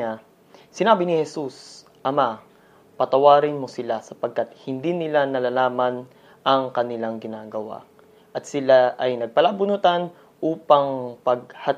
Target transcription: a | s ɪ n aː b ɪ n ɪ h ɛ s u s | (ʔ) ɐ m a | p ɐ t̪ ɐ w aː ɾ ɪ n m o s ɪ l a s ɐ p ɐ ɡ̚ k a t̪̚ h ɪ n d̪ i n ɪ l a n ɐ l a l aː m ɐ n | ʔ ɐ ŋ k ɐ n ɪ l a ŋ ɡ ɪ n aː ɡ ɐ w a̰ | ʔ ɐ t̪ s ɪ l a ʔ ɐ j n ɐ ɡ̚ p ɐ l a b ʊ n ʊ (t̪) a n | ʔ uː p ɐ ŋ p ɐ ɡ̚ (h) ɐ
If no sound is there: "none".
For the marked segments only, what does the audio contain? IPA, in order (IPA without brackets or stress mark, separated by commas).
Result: ʔ, t̪, h